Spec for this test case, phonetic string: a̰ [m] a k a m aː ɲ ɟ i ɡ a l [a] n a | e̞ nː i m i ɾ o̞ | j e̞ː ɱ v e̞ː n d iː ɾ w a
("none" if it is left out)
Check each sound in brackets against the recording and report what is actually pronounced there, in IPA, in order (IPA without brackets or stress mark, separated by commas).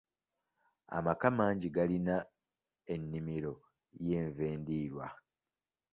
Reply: m, i